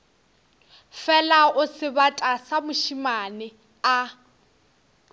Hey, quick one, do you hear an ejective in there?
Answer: yes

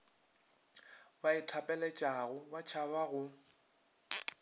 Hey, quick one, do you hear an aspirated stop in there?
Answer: yes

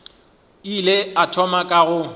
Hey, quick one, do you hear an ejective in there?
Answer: yes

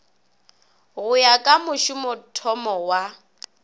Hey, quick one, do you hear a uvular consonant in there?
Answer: no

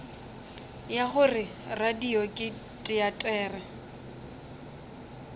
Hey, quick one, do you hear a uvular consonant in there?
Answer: yes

